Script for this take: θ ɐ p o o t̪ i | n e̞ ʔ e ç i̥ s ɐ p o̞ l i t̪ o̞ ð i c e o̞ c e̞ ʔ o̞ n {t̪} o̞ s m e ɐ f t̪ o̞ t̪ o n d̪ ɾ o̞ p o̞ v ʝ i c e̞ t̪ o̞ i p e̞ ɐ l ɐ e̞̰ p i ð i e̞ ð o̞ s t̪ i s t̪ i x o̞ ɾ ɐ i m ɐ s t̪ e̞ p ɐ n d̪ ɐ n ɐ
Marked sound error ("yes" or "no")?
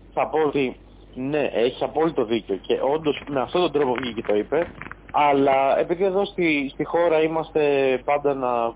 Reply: yes